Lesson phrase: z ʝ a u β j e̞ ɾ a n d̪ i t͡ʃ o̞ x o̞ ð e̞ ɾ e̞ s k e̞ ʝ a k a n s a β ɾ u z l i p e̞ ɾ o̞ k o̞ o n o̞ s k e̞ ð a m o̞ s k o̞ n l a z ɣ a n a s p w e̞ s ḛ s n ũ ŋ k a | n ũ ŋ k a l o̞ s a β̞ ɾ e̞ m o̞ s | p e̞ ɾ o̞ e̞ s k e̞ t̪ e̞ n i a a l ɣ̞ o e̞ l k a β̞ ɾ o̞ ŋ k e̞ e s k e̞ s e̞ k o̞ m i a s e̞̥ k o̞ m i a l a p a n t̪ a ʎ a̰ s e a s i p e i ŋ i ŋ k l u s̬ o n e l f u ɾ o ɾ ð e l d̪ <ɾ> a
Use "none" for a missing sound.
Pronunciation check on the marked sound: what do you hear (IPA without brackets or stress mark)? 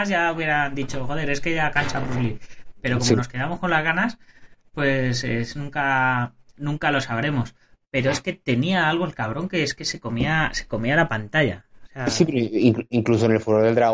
ɾ